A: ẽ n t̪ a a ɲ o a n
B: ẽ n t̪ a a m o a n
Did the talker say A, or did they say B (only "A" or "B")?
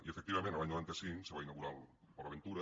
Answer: A